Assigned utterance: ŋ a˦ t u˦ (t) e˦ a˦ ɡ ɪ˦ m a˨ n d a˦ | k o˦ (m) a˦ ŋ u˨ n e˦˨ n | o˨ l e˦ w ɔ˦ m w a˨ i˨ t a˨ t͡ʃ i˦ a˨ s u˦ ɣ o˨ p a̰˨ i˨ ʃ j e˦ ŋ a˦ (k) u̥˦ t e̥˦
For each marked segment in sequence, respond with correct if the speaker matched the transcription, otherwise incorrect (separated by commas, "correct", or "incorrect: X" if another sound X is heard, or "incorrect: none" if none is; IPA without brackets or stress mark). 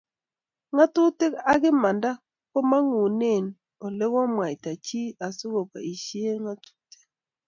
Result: correct, correct, incorrect: t